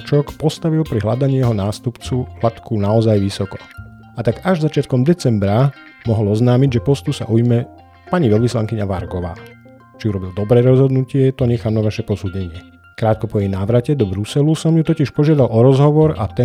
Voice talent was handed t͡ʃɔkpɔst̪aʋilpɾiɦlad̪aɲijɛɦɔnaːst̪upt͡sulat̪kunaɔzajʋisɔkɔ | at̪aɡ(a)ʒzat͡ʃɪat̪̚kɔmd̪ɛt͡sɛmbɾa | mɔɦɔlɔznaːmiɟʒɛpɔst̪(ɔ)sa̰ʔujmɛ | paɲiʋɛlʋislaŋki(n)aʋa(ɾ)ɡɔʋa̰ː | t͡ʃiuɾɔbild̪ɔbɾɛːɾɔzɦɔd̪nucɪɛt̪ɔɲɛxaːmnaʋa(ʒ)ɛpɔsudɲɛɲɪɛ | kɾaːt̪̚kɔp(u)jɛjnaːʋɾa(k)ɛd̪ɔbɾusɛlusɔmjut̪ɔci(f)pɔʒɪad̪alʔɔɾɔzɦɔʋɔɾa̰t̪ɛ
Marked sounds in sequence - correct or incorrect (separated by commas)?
correct, incorrect, incorrect, correct, incorrect, incorrect, incorrect, incorrect